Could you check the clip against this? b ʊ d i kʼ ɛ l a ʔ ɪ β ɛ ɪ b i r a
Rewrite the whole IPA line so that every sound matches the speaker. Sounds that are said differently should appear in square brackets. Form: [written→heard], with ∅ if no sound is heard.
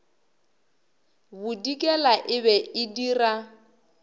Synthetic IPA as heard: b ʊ d i kʼ ɛ l a ʔ ɪ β ɛ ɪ [b→d] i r a